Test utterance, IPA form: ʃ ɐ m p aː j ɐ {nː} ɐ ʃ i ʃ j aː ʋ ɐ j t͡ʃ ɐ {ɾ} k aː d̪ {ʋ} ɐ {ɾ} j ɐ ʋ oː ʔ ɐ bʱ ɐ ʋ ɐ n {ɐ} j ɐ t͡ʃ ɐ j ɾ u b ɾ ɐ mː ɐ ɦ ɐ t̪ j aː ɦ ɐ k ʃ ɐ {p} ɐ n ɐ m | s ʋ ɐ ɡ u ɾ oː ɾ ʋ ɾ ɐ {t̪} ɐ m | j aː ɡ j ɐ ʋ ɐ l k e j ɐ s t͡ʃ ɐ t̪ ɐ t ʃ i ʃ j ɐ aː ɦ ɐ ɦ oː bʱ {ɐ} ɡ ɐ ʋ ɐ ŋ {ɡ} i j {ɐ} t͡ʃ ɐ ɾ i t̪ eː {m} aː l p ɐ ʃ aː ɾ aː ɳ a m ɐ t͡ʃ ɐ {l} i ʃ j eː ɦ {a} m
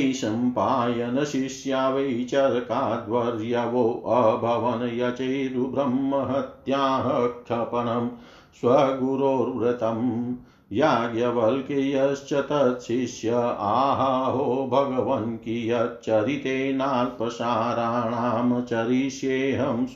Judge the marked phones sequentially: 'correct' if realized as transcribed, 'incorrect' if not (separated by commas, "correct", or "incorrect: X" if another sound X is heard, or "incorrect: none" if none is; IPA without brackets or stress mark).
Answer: incorrect: n, correct, correct, correct, correct, correct, correct, correct, incorrect: k, correct, incorrect: n, incorrect: ɾ, incorrect: ɐ